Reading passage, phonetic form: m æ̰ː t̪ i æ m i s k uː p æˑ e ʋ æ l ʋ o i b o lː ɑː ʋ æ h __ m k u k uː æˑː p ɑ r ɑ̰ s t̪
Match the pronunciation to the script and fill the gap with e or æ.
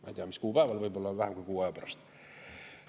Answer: æ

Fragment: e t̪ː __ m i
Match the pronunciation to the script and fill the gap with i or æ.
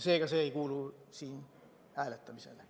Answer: æ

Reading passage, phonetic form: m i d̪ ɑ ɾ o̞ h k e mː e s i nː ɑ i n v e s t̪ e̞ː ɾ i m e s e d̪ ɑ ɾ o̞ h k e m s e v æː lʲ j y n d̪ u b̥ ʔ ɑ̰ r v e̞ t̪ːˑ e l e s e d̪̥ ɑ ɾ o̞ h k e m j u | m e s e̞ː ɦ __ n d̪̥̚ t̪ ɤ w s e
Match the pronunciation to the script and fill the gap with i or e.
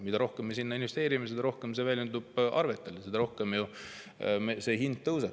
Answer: i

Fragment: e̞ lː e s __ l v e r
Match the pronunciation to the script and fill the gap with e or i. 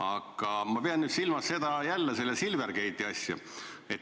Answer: i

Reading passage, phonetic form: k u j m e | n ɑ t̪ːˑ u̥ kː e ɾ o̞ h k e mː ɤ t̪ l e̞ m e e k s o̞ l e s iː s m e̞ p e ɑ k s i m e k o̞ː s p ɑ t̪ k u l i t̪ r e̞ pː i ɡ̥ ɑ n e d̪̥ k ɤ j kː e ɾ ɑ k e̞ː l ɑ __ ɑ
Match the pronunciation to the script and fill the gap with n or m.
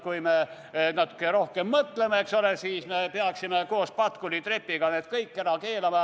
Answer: m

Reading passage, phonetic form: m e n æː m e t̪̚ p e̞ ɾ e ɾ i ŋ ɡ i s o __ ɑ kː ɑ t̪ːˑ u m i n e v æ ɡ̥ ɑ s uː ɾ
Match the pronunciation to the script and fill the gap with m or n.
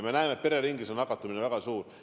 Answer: n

